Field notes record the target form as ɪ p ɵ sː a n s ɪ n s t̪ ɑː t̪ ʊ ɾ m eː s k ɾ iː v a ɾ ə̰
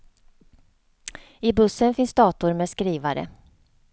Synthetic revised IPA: ɪ b ɵ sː ə n f ɪ n s d̪ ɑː t̪ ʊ ɾ m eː s k ɾ iː v a ɾ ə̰